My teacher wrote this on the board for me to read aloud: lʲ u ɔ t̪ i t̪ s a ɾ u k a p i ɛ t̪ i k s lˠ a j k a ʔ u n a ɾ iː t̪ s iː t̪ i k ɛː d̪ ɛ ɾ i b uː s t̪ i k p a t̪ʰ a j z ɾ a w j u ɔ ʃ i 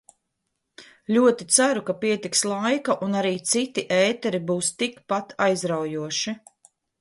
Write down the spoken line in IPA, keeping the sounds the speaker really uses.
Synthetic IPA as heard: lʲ u ɔ t̪ i t̪ s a ɾ u k a p i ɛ t̪ i k s lˠ a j k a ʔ u n a ɾ iː t̪ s i t̪ i ʔ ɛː t̪ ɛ ɾ i b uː s t̪ i k p a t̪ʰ a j z ɾ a w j u ɔ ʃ i